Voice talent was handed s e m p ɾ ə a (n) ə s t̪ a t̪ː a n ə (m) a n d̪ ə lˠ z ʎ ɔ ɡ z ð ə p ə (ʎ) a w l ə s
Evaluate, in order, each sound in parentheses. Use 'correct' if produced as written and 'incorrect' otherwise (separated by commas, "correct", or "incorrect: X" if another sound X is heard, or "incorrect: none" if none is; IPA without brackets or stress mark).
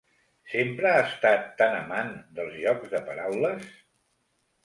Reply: incorrect: none, correct, incorrect: ɾ